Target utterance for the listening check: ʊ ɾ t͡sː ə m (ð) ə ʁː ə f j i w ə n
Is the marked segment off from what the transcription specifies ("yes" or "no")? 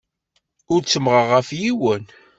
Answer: yes